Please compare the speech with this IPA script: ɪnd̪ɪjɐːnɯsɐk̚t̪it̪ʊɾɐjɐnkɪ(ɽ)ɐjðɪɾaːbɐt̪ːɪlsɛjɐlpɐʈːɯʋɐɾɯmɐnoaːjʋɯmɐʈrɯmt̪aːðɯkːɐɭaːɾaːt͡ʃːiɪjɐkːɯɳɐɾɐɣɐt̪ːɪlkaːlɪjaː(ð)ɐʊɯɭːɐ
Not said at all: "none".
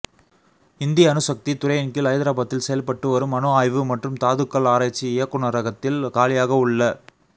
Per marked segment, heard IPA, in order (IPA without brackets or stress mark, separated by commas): l, ɣ